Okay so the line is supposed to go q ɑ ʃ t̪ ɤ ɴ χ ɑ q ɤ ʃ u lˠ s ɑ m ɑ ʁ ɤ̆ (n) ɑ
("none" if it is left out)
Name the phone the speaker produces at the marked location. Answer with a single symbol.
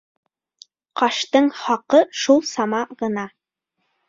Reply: n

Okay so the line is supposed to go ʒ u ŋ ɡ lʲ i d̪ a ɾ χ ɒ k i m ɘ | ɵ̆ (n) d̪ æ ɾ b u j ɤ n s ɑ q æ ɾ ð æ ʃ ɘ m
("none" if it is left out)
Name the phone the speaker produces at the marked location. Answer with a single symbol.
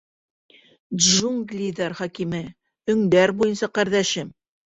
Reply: ŋ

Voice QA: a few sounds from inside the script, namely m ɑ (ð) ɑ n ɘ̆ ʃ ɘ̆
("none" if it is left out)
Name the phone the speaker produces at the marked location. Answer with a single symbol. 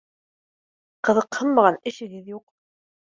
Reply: ʁ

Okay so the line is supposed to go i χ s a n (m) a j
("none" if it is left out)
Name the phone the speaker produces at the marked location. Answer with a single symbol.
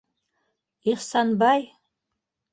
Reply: b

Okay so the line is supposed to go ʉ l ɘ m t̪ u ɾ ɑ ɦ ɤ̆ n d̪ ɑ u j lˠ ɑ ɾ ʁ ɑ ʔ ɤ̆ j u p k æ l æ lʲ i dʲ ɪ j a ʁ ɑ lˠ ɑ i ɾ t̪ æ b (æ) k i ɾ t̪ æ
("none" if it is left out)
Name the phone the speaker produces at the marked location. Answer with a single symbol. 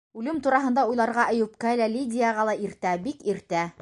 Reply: i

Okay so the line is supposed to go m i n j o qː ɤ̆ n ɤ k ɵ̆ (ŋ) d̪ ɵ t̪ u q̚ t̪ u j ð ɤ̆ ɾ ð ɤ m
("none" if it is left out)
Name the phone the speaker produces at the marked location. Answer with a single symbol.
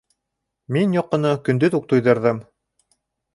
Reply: n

